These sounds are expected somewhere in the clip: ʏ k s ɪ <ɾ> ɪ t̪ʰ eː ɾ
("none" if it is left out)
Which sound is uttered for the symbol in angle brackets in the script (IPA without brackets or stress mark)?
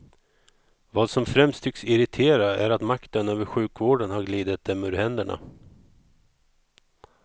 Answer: ɾ